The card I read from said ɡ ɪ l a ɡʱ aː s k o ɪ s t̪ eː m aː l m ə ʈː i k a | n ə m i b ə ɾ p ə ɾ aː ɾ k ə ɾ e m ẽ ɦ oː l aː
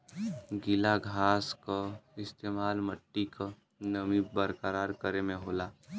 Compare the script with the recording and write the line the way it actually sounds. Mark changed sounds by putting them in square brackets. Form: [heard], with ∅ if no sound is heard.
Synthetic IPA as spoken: ɡ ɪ l a ɡʱ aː s k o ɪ s t̪ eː m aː l m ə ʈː i k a | n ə m i b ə ɾ [k] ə ɾ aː ɾ k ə ɾ e m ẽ ɦ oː l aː